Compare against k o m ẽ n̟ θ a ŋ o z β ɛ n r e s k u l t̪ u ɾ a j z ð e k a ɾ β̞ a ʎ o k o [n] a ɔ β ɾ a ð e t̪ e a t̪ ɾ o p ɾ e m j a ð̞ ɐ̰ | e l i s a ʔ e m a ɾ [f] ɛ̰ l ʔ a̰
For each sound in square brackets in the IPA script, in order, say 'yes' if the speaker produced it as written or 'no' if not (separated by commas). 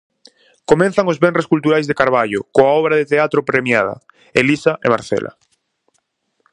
no, no